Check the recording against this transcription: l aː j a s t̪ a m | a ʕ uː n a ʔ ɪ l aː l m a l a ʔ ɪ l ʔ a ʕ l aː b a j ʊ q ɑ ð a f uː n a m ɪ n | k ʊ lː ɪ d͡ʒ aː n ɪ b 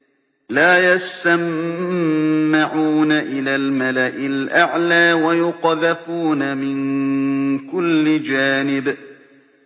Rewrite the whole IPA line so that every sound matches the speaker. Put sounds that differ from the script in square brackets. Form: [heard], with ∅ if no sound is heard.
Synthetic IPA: l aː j a s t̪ a m | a ʕ uː n a ʔ ɪ l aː l m a l a ʔ ɪ l ʔ a ʕ l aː [w] a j ʊ q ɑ ð a f uː n a m ɪ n | k ʊ lː ɪ d͡ʒ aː n ɪ b